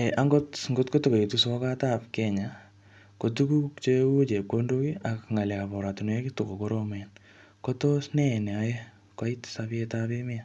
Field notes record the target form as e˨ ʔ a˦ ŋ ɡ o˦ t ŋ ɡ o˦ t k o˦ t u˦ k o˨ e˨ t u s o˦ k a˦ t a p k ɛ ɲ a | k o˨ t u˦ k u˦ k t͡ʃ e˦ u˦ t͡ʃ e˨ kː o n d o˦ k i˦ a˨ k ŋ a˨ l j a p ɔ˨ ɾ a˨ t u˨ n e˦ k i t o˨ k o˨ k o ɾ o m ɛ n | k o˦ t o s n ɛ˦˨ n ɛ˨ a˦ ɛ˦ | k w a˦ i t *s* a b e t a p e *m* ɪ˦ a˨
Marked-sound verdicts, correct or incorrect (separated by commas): correct, correct